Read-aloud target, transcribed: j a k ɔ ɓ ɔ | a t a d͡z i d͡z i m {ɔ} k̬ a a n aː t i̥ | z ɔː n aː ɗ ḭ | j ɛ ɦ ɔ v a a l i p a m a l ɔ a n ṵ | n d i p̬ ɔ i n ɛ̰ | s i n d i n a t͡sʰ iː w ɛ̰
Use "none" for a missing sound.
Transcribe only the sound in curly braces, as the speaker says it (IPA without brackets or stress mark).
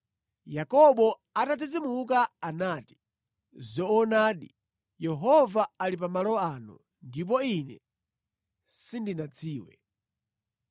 u